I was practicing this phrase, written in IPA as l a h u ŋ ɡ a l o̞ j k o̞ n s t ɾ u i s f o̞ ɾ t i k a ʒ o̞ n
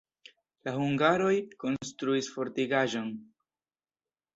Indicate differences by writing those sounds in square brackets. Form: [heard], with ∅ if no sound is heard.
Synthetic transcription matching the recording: l a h u ŋ ɡ a [ɾ] o̞ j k o̞ n s t ɾ u i s f o̞ ɾ t i [ɡ] a ʒ o̞ n